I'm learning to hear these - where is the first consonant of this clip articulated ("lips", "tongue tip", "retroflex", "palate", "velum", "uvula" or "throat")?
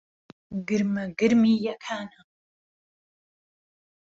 velum